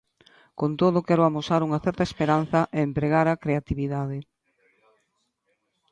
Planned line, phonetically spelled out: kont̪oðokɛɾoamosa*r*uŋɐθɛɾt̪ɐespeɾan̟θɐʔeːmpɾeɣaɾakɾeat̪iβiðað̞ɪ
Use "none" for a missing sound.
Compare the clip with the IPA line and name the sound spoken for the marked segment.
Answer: ɾ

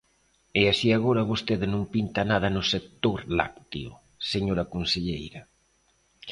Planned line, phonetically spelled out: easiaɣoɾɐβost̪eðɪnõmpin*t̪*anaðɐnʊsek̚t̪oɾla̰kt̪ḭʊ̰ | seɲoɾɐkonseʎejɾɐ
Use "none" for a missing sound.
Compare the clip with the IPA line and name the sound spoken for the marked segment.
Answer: t̪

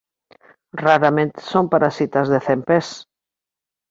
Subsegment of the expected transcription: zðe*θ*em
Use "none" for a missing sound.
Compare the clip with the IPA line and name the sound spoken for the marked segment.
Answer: θ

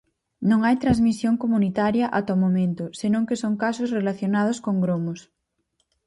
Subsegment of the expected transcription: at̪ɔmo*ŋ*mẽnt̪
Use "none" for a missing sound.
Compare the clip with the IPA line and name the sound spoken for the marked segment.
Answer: none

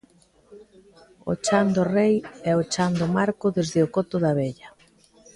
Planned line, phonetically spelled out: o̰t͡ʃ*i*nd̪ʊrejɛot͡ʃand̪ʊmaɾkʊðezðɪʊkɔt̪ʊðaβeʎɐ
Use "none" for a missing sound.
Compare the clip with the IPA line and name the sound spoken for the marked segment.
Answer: a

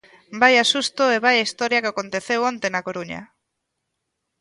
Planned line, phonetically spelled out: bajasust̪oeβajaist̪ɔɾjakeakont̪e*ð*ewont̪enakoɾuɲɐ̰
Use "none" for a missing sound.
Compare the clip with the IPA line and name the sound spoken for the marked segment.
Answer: θ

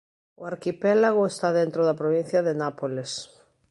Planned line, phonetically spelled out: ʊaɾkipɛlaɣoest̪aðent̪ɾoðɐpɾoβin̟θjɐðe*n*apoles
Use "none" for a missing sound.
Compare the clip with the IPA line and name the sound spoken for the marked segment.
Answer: n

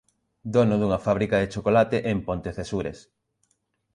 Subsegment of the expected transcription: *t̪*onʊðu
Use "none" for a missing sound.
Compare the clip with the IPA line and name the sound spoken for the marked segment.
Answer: d̪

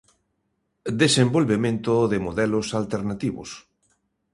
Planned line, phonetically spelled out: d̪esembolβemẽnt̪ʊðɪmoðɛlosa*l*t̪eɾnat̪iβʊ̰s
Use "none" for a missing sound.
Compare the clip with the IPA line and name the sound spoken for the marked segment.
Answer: l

